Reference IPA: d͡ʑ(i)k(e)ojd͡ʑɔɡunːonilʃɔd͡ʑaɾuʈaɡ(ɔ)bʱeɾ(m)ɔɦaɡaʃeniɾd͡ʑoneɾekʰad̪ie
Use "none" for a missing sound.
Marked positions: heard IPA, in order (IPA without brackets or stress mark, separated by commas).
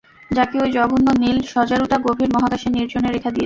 a, e, o, m